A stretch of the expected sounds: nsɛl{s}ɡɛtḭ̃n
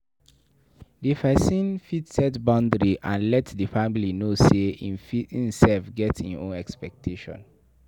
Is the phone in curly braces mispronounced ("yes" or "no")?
yes